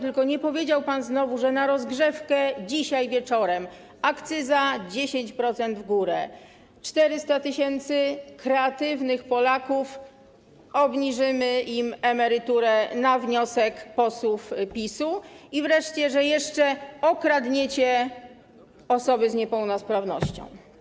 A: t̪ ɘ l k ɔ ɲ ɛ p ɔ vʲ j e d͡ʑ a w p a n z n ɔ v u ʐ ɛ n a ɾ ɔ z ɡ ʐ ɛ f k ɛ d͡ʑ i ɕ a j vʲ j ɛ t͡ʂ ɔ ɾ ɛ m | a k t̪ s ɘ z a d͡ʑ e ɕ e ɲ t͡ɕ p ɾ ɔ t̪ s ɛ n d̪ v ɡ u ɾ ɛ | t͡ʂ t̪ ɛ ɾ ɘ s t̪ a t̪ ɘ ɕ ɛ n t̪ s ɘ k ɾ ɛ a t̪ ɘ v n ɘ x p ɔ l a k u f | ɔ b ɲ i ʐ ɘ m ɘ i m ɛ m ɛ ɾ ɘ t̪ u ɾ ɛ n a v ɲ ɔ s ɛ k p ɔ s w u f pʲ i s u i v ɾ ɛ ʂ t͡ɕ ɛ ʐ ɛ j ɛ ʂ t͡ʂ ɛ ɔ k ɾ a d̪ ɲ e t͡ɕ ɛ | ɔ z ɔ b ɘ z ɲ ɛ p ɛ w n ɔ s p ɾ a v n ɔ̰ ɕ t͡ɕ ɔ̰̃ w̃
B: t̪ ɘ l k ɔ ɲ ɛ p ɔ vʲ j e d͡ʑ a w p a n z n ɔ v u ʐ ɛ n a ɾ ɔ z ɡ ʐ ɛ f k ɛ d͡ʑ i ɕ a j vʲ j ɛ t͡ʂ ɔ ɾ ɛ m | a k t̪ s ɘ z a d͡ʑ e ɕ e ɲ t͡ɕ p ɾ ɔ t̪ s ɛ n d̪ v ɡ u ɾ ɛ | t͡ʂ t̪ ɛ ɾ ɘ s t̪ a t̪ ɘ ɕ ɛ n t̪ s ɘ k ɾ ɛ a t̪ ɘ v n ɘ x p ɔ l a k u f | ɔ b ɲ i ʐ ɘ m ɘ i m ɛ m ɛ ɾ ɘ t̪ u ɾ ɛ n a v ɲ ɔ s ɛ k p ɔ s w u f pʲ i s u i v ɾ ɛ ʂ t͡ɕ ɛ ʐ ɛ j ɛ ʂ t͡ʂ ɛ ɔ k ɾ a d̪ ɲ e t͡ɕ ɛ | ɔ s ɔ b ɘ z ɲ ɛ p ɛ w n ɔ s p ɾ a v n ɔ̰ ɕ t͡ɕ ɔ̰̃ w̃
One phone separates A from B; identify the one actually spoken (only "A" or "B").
B